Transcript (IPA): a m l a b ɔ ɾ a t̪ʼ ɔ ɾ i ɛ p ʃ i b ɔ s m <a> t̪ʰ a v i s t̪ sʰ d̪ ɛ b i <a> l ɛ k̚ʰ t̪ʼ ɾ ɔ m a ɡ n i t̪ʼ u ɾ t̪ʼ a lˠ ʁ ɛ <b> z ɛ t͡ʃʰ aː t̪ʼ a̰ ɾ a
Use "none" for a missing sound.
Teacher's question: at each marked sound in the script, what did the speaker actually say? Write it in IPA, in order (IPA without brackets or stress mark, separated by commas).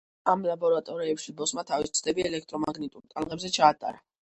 a, ɛ, b